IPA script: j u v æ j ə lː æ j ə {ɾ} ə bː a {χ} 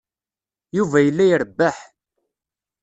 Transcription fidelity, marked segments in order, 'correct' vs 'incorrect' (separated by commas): correct, incorrect